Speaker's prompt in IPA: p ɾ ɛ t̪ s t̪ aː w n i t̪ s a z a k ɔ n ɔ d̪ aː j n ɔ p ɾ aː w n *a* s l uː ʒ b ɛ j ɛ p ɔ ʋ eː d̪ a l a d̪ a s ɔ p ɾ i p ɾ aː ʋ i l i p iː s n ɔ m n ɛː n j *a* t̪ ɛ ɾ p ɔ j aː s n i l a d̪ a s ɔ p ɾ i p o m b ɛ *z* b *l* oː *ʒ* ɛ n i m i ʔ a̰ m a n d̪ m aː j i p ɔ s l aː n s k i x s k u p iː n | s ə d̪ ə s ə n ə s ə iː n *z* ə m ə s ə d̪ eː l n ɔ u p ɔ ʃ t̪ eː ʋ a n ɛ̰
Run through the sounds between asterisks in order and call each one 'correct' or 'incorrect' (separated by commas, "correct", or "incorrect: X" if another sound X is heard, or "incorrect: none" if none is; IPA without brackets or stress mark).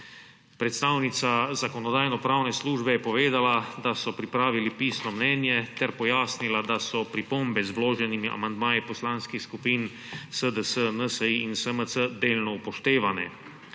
incorrect: ɛ, incorrect: ɛ, correct, correct, correct, incorrect: s